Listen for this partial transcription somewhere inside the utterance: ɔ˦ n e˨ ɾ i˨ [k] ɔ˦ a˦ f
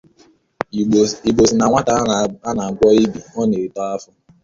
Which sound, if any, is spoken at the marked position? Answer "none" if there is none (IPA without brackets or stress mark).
t